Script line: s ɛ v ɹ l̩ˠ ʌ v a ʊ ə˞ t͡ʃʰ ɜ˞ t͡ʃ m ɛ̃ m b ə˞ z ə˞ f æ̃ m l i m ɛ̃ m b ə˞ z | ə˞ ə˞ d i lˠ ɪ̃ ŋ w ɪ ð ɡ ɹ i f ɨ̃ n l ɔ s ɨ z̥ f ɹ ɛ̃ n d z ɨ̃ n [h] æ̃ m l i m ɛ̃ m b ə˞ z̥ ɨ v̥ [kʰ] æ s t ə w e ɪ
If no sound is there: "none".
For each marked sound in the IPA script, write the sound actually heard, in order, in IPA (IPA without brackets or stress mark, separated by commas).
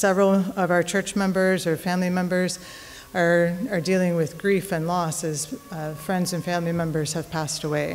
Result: f, pʰ